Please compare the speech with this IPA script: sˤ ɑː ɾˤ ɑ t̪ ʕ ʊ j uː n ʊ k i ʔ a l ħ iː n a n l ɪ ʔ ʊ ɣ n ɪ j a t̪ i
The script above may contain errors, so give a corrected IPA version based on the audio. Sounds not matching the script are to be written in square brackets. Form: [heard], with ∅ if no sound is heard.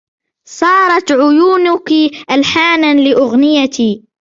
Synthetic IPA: sˤ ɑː ɾˤ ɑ t̪ ʕ ʊ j uː n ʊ k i ʔ a l ħ [aː] n a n l ɪ ʔ ʊ ɣ n ɪ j a t̪ i